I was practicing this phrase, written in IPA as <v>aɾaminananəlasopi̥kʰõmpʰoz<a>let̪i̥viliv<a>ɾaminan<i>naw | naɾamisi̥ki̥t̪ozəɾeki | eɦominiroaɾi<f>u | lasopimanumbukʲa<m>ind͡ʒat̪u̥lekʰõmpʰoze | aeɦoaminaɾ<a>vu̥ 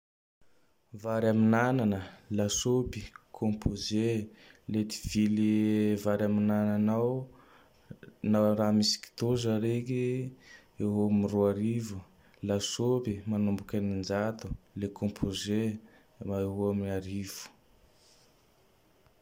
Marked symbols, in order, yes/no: yes, no, yes, no, no, no, no

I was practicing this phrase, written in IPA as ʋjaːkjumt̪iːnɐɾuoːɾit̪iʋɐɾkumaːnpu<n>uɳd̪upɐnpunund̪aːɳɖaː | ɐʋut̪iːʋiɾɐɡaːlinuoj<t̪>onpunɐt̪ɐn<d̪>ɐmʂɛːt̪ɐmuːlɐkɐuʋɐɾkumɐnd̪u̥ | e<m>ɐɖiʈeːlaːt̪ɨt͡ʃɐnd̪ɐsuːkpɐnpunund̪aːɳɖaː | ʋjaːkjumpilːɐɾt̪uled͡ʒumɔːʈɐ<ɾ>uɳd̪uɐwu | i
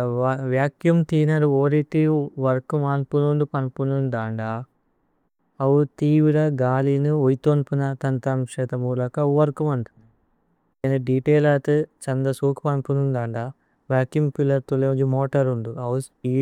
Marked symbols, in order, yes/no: yes, yes, no, no, yes

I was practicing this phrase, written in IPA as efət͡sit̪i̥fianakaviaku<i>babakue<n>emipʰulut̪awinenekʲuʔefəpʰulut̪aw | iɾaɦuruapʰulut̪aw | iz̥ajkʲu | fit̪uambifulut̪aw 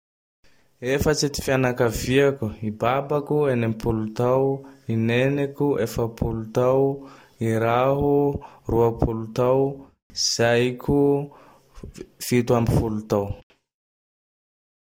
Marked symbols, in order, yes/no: yes, yes

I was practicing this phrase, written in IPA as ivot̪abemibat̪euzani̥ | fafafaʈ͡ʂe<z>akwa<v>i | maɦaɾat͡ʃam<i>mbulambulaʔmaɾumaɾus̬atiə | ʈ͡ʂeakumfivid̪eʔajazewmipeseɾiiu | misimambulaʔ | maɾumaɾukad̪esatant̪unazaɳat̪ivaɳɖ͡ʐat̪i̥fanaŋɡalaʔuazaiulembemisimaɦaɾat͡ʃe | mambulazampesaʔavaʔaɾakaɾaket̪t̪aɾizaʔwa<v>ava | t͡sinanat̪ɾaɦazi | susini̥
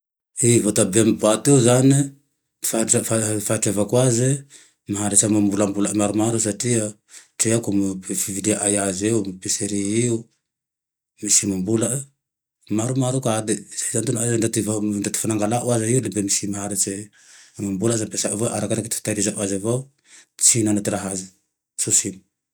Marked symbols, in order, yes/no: no, no, no, no

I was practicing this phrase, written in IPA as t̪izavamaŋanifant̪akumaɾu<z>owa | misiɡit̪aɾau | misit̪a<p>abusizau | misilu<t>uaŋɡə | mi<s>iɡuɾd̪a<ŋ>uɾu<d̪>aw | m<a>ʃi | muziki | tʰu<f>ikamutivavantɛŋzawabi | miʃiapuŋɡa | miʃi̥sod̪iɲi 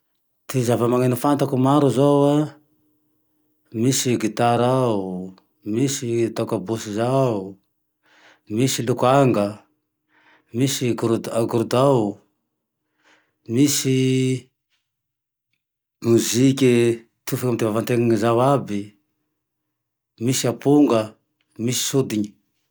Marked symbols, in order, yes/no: yes, no, no, yes, no, yes, no, yes

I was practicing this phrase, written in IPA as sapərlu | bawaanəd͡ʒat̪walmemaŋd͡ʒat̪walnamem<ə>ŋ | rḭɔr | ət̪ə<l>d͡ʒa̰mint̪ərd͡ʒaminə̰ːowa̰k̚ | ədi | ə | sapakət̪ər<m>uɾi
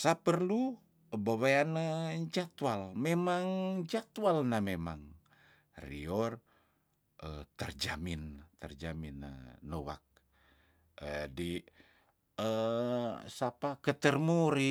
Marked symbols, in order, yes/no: no, no, yes

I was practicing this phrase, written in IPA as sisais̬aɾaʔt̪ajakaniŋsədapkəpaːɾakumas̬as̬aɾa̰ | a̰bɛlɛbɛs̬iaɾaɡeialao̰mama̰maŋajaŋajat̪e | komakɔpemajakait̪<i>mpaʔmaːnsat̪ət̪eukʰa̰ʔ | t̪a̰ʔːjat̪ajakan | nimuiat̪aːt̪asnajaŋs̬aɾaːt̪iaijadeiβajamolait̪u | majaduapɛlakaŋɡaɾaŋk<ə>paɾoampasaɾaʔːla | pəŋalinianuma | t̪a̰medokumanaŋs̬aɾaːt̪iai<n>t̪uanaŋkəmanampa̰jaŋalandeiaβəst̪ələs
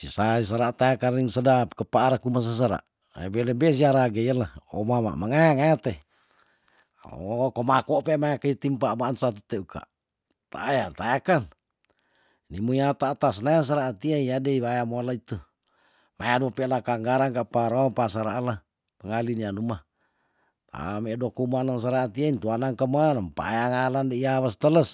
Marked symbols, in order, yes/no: yes, no, yes

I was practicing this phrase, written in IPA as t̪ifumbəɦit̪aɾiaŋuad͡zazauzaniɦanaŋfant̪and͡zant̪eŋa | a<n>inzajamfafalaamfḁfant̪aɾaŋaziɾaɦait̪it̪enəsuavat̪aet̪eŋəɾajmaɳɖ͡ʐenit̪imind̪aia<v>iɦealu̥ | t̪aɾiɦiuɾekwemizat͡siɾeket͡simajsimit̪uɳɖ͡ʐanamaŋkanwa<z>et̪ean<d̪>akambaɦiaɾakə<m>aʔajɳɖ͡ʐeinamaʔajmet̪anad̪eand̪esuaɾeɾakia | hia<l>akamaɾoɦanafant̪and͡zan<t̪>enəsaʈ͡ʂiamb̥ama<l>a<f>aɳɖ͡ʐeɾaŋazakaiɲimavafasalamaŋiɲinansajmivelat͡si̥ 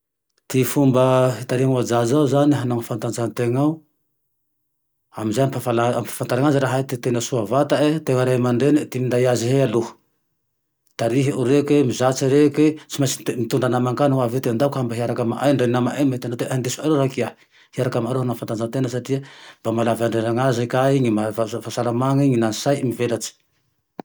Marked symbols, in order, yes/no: no, no, no, yes, yes, no, yes, yes, no

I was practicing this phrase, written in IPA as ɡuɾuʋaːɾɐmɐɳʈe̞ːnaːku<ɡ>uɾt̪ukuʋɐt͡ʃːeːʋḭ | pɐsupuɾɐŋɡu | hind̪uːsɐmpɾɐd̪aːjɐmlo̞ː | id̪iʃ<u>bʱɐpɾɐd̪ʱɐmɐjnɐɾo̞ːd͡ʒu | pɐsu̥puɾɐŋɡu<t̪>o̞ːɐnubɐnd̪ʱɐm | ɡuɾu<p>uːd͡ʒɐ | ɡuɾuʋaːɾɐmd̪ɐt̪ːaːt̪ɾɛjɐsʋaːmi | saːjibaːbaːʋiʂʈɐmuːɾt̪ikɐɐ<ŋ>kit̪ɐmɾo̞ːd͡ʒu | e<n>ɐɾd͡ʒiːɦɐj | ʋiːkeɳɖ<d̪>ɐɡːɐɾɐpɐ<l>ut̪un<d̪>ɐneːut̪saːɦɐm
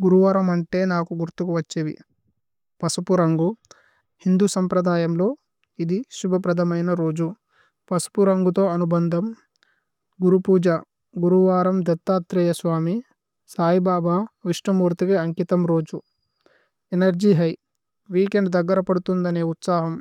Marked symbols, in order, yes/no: yes, yes, yes, yes, yes, yes, yes, no, yes

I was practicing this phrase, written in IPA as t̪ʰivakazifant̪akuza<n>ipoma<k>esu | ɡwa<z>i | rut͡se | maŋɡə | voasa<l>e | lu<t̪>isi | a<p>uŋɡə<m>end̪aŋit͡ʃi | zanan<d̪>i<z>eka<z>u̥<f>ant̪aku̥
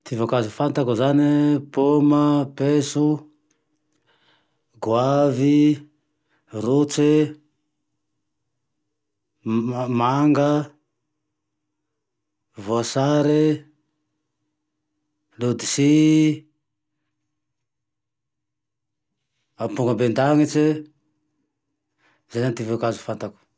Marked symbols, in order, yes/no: yes, no, no, no, no, yes, no, no, no, yes, yes

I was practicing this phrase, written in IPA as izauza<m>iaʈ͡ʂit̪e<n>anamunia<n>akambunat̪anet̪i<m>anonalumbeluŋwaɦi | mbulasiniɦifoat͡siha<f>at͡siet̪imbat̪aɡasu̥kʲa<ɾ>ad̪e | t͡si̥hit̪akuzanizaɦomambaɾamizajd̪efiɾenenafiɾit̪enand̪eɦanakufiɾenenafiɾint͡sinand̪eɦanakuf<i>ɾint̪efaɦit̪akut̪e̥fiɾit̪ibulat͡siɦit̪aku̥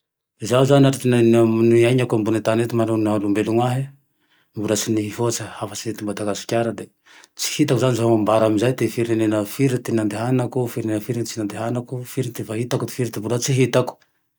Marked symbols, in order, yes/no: no, yes, no, yes, yes, yes, yes

